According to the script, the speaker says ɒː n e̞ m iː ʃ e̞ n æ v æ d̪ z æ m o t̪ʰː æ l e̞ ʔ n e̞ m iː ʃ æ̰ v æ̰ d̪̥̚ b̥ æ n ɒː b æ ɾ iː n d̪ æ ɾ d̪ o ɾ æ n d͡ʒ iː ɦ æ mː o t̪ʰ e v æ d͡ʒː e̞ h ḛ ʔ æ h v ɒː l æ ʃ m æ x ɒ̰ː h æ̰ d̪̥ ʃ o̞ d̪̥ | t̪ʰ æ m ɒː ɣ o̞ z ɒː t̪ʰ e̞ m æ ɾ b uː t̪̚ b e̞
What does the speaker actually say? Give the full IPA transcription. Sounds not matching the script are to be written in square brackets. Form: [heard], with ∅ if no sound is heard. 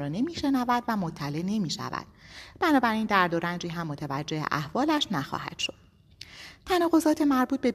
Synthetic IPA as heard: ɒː n e̞ m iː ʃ e̞ n æ v æ d̪ [v] æ m o t̪ʰː æ l e̞ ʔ n e̞ m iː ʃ æ̰ v æ̰ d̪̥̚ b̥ æ n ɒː b æ ɾ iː n d̪ æ ɾ d̪ o ɾ æ n d͡ʒ iː ɦ æ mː o t̪ʰ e v æ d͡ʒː e̞ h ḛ ʔ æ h v ɒː l æ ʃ [n] æ x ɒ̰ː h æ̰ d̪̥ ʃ o̞ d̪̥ | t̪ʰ æ [n] ɒː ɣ o̞ z ɒː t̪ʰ e̞ m æ ɾ b uː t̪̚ b e̞